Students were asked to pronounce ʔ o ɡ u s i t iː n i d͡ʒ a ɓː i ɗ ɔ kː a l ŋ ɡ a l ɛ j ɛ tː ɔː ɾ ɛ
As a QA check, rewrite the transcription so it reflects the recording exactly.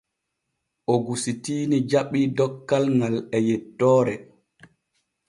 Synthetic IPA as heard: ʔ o ɡ u s i t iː n i d͡ʒ a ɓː i d ɔ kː a l ŋ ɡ a l ɛ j ɛ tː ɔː ɾ ɛ